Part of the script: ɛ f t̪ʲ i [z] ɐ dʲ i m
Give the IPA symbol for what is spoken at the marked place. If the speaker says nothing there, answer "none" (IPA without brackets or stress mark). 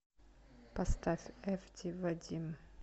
v